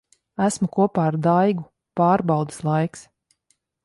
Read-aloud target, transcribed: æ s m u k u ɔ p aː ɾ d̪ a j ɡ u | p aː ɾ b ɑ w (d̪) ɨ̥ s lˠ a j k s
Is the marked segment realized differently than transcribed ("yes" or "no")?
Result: no